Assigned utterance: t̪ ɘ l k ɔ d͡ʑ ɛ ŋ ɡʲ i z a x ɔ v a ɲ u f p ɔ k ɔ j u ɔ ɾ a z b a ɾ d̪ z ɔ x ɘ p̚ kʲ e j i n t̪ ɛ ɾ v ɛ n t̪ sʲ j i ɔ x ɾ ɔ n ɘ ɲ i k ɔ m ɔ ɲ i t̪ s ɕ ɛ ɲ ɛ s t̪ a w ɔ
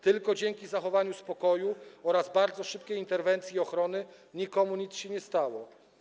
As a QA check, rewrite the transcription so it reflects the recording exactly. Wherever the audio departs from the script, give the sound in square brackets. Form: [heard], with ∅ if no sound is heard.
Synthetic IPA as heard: t̪ ɘ l k ɔ d͡ʑ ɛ ŋ [kʲ] i z a x ɔ v a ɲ u [s] p ɔ k ɔ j u ɔ ɾ a z b a ɾ d̪ z ɔ [ʂ] ɘ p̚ kʲ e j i n t̪ ɛ ɾ v ɛ n t̪ sʲ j i ɔ x ɾ ɔ n ɘ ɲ i k ɔ m [u] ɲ i t̪ s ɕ ɛ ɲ ɛ s t̪ a w ɔ